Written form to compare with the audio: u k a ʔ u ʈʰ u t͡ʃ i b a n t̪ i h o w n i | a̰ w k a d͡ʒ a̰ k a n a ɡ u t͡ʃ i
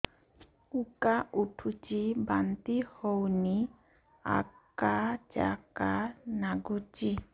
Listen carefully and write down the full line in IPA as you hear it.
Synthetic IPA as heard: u k a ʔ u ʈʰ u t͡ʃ i b a n t̪ i h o w n i | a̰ k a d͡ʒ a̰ k a n a ɡ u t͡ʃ i

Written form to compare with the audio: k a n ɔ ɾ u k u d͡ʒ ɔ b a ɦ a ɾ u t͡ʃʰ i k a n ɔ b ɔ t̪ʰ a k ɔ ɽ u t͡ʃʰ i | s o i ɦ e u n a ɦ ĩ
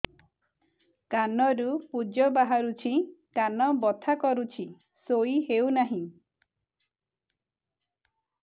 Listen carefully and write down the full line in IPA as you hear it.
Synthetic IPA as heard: k a n ɔ ɾ u p u d͡ʒ ɔ b a ɦ a ɾ u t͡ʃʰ i k a n ɔ b ɔ t̪ʰ a k ɔ ɾ u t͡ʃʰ i | s o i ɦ e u n a ɦ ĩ

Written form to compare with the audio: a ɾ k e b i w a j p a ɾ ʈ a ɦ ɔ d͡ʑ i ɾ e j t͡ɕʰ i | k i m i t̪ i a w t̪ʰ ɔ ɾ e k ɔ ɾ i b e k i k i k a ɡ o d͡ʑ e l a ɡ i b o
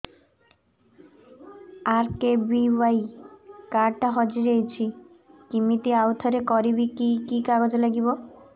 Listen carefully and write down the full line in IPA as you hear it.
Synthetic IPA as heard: a ɾ k e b i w a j k a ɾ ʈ a ɦ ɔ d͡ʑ i ɾ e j t͡ɕʰ i | k i m i t̪ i a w t̪ʰ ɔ ɾ e k ɔ ɾ i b i k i k i k a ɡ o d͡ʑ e l a ɡ i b o

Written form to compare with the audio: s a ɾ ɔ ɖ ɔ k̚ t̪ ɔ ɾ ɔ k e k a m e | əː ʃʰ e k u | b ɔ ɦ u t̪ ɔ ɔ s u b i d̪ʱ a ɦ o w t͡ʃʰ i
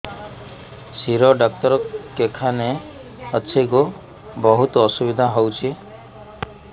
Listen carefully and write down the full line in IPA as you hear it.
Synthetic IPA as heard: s i ɾ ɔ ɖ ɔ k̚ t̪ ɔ ɾ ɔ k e kʰ a n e | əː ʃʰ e k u | b ɔ ɦ u t̪ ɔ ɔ s u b i d̪ʱ a ɦ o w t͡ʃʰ i

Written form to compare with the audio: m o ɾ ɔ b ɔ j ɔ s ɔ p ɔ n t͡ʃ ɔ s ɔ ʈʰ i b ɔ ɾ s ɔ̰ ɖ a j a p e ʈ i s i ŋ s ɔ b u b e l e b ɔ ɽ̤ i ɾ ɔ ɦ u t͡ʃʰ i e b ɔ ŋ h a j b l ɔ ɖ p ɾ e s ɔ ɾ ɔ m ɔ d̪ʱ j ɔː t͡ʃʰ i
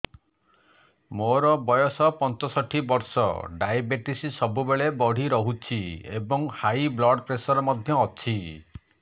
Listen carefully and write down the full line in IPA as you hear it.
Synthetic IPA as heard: m o ɾ ɔ b ɔ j ɔ s ɔ p ɔ n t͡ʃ ɔ s ɔ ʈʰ i b ɔ ɾ s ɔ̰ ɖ a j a b e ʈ i s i s ɔ b u b e ɭ e b ɔ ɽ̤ i ɾ ɔ ɦ u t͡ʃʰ i e b ɔ ŋ h a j b l ɔ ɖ p ɾ e s ɔ ɾ ɔ m ɔ d̪ʱ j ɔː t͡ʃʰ i

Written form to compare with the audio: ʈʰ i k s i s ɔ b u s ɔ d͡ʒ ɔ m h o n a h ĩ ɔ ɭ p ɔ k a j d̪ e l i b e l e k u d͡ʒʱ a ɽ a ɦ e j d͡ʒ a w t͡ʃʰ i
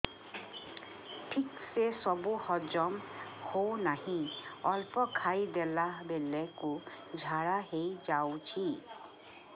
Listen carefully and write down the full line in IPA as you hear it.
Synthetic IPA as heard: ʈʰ i k s e s ɔ b u h ɔ d͡ʒ ɔ m h o n a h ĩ ɔ l p ɔ kʰ a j d̪ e l a b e l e k u d͡ʒʱ a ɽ a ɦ e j d͡ʒ a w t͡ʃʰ i

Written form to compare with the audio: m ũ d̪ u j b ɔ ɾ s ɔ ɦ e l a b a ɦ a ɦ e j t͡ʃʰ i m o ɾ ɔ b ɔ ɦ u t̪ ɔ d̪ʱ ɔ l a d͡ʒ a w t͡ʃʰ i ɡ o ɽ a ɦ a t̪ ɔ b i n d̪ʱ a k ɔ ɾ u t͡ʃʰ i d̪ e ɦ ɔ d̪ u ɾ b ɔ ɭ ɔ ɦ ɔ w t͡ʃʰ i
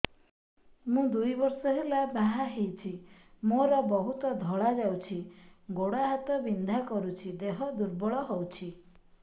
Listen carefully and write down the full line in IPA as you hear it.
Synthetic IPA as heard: m ũ d̪ u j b ɔ ɾ s ɔ ɦ e l a b a ɦ a ɦ e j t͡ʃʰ i m o ɾ ɔ b ɔ ɦ u t̪ ɔ d̪ʱ ɔ ɭ a d͡ʒ a w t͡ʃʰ i ɡ o ɽ a ɦ a t̪ ɔ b i n d̪ʱ a k ɔ ɾ u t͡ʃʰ i d̪ e ɦ ɔ d̪ u ɾ b ɔ ɭ ɔ ɦ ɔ w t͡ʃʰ i

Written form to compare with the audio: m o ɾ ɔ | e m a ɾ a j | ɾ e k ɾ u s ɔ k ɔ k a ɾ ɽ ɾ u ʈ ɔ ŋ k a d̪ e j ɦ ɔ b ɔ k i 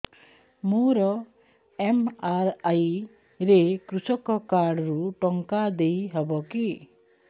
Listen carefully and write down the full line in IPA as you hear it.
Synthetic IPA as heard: m o ɾ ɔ | e m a ɾ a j | ɾ e k ɾ u s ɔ k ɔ k a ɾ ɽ ɾ u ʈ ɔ ŋ k a d̪ e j ɦ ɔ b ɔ k i

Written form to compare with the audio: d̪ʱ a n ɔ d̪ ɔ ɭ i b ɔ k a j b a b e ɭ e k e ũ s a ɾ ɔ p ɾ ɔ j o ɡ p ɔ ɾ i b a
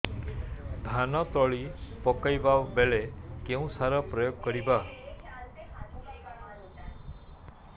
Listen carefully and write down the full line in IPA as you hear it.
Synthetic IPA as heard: d̪ʱ a n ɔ t̪ ɔ ɭ i p ɔ k a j b a b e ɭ e k e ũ s a ɾ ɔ p ɾ ɔ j o ɡ k ɔ ɾ i b a

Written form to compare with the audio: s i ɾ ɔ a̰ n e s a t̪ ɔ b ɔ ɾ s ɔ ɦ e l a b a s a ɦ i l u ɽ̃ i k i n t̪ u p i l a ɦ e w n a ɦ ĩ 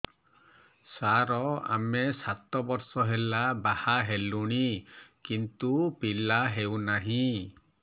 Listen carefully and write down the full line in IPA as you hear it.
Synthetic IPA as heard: s a ɾ ɔ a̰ m e s a t̪ ɔ b ɔ ɾ s ɔ ɦ e l a b a h a ɦ e l u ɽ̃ i k i n t̪ u p i l a ɦ e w n a ɦ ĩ

